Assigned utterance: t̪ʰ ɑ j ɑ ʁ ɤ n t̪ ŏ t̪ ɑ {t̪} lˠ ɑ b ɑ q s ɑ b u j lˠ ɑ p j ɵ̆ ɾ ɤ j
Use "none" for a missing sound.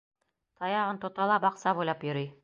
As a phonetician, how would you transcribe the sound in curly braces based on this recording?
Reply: none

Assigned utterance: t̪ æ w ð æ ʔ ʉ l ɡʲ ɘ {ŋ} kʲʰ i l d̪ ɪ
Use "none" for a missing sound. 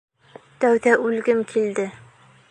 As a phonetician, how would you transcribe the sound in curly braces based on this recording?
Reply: m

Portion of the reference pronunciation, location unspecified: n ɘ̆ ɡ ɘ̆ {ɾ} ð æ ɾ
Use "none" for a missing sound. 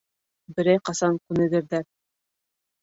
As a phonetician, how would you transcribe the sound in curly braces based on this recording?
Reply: ɾ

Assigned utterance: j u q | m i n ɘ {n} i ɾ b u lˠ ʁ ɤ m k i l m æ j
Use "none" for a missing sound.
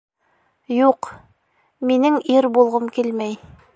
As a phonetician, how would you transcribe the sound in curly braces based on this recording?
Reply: ŋ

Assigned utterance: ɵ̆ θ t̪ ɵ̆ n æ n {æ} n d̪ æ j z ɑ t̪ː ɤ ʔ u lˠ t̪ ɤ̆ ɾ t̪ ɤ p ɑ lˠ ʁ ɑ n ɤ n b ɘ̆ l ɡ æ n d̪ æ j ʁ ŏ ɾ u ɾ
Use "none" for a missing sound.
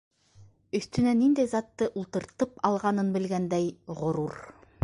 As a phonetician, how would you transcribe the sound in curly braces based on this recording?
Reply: i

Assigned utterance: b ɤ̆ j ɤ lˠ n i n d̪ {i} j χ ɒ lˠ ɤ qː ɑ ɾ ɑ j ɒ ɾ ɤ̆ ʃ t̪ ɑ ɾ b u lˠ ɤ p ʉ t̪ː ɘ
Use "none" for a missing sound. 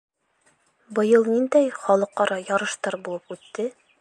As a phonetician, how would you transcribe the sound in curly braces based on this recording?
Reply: æ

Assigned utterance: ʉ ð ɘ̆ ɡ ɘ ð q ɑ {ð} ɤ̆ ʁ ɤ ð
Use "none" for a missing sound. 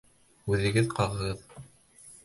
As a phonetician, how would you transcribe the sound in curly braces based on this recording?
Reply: ʁ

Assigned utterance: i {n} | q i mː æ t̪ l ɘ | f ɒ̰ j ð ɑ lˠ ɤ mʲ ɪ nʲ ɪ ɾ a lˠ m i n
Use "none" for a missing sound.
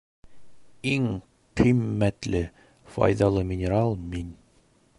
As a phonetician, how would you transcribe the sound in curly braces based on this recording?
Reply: ŋ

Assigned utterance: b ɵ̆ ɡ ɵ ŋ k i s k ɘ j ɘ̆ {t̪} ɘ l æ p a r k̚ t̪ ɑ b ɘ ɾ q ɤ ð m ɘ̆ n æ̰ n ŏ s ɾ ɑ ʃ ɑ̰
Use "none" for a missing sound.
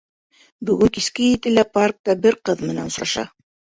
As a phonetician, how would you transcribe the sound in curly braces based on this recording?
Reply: t̪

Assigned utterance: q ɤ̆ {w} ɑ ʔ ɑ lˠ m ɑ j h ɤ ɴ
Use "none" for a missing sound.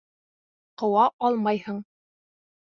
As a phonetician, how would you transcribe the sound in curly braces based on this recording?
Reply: w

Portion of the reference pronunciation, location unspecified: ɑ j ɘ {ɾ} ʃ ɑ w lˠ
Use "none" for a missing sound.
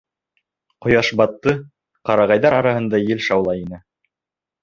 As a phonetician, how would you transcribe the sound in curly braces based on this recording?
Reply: l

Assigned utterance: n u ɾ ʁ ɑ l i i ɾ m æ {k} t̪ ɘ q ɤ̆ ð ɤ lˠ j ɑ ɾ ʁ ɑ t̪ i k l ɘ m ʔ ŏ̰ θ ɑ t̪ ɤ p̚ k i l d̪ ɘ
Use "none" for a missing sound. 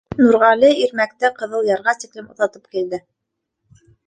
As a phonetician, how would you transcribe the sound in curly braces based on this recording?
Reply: k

